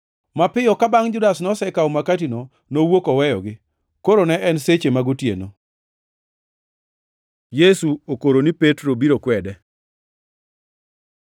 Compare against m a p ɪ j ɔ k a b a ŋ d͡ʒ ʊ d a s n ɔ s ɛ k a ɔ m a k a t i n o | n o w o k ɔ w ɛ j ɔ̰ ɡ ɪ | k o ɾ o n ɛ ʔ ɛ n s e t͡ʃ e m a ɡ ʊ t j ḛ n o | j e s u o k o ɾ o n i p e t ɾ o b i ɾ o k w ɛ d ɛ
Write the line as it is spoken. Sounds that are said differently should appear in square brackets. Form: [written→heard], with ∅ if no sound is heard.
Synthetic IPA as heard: m a p ɪ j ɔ k a b a ŋ d͡ʒ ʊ d a s n ɔ s ɛ k a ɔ m a k a t i n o | n o w o k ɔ w ɛ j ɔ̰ ɡ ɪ | k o ɾ o n ɛ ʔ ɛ n s e t͡ʃ e m a ɡ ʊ t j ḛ n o | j e s u o k o ɾ o n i p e t ɾ o b i ɾ o k w ɛ d ɛ

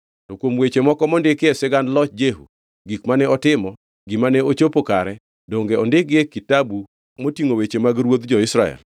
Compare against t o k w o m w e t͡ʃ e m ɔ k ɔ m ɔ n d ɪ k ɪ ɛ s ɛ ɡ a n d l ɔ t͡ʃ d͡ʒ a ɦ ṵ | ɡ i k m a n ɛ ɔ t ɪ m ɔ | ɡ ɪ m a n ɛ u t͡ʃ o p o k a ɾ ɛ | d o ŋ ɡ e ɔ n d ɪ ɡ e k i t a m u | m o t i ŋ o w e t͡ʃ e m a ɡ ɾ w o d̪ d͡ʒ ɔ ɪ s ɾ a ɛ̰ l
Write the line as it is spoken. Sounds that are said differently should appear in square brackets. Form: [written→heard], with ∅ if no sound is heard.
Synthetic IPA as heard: t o k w o m w e t͡ʃ e m ɔ k ɔ m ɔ n d ɪ k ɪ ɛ s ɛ ɡ a n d l ɔ t͡ʃ d͡ʒ [a→e] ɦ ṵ | ɡ i k m a n ɛ ɔ t ɪ m ɔ | ɡ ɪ m a n ɛ [u→o] t͡ʃ o p o k a ɾ ɛ | d o ŋ ɡ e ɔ n d ɪ ɡ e k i t a [m→b] u | m o t i ŋ o w e t͡ʃ e m a ɡ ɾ w o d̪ d͡ʒ ɔ ɪ s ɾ a ɛ̰ l

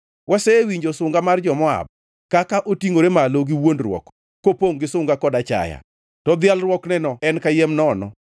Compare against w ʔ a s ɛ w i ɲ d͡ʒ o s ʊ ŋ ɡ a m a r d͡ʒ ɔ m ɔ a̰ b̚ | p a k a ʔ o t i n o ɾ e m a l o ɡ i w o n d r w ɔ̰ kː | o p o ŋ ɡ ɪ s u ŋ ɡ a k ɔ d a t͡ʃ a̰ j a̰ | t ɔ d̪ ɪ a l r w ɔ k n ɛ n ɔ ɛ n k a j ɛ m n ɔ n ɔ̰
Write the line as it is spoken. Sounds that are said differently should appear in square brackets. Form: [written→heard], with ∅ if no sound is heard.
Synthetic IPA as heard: w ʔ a s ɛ w i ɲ d͡ʒ o s ʊ ŋ ɡ a m a r d͡ʒ ɔ m ɔ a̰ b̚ | [p→k] a k a ʔ o t i [n→ŋ] o ɾ e m a l o ɡ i w o n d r w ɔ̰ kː | o p o ŋ ɡ ɪ s [u→ʊ] ŋ ɡ a k ɔ d a t͡ʃ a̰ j a̰ | t ɔ d̪ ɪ a l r w ɔ k n ɛ n ɔ ɛ n k a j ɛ m n ɔ n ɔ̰

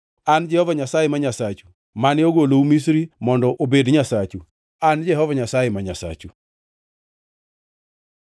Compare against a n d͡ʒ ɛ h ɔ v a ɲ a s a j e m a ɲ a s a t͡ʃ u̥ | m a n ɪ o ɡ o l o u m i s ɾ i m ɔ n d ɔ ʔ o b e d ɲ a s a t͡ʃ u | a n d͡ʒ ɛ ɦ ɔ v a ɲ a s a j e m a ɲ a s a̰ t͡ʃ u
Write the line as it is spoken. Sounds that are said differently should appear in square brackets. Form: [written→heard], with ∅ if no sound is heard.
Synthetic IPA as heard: a n d͡ʒ ɛ h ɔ v a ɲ a s a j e m a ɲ a s a t͡ʃ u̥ | m a n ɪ o ɡ o l o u m i s ɾ i m ɔ n d ɔ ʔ o b e d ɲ a s a t͡ʃ u | a n d͡ʒ ɛ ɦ ɔ v a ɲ a s a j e m a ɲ a s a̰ t͡ʃ u

